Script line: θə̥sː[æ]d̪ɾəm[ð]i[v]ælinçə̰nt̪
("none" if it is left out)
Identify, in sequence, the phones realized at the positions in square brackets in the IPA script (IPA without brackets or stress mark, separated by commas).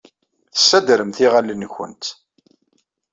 æ, θ, ʁ